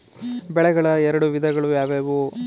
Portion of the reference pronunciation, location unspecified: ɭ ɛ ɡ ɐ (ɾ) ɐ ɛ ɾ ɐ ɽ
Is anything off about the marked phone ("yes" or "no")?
yes